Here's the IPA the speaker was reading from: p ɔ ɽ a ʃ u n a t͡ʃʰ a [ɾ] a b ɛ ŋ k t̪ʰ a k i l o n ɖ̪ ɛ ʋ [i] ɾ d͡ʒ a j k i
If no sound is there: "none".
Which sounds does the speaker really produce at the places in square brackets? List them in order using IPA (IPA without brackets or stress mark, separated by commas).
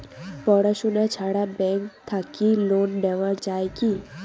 ɽ, a